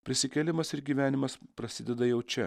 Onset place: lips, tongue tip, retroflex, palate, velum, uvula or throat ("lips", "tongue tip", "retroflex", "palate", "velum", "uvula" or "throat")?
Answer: lips